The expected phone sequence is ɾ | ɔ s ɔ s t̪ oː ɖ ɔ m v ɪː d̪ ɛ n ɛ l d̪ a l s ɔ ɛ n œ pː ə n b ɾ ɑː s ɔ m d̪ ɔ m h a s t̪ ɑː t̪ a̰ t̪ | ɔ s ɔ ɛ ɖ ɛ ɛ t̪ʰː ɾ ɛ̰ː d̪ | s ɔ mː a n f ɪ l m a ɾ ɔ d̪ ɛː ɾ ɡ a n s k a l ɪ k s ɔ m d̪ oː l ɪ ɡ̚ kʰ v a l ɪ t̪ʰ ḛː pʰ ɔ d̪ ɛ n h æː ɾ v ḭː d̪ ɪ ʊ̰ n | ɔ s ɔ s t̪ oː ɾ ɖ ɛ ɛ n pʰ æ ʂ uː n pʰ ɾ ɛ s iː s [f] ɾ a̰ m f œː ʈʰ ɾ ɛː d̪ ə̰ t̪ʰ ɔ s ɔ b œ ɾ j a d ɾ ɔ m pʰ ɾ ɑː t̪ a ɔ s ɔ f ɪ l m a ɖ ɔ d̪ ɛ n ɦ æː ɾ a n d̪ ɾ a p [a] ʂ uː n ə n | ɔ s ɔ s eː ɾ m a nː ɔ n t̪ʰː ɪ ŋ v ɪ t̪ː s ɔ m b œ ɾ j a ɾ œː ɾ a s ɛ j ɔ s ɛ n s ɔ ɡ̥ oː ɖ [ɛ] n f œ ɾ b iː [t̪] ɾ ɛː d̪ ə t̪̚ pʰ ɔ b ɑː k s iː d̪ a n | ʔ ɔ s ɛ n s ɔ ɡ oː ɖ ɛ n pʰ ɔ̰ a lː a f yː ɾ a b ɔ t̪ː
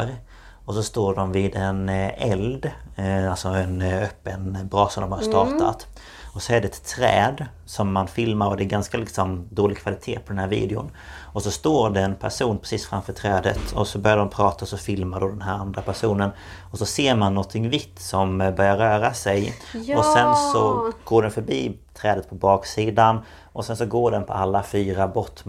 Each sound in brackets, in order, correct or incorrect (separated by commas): correct, incorrect, correct, incorrect